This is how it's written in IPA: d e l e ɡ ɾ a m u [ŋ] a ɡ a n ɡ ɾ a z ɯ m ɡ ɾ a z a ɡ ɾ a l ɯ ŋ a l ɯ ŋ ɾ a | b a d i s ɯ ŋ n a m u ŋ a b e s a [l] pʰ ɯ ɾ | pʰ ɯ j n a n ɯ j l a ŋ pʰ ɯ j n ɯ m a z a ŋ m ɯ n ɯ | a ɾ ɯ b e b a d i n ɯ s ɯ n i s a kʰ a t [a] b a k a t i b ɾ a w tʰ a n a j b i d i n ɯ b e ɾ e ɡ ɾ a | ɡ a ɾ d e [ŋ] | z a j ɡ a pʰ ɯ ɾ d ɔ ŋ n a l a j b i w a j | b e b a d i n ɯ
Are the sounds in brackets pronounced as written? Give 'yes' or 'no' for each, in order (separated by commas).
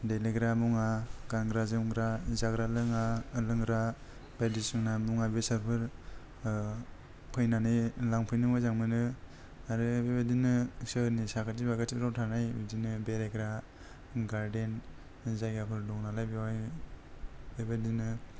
yes, no, no, no